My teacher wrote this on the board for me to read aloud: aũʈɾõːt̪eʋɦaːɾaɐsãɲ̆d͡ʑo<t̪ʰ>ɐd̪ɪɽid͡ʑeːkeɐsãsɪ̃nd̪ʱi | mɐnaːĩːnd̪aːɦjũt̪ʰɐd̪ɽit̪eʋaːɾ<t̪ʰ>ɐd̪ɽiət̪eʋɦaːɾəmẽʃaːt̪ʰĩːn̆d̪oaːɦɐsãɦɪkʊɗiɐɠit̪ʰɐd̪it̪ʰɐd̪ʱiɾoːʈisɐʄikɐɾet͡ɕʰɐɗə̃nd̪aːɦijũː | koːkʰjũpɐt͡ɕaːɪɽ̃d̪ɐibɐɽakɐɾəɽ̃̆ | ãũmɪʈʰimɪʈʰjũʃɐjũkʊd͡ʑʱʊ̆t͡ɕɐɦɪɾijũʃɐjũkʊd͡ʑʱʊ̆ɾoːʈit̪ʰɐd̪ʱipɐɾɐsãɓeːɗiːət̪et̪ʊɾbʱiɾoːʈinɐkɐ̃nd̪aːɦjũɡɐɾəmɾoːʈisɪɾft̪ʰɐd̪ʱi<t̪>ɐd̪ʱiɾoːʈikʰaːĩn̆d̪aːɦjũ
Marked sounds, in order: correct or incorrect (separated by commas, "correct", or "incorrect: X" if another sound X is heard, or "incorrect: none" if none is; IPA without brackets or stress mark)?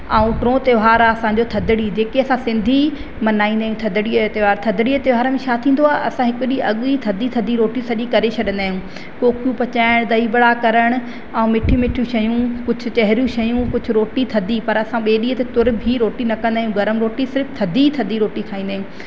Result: correct, correct, incorrect: t̪ʰ